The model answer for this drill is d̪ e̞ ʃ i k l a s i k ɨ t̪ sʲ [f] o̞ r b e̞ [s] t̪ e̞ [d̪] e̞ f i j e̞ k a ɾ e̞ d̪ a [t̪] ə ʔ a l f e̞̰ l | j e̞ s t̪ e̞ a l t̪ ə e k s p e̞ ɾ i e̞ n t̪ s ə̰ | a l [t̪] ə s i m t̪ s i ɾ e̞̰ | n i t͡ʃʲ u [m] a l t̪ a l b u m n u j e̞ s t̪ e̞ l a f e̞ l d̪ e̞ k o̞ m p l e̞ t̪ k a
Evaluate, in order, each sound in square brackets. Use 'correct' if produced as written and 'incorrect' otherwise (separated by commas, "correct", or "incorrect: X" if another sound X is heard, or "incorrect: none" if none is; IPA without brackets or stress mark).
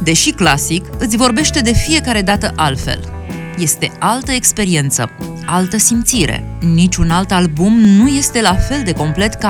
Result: incorrect: v, incorrect: ʃ, correct, correct, correct, incorrect: n